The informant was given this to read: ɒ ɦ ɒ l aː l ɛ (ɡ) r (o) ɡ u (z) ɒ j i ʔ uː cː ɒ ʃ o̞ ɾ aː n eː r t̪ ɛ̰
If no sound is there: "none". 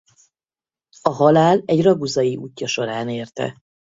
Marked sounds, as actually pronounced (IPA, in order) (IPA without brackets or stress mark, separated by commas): ɟ, ɒ, z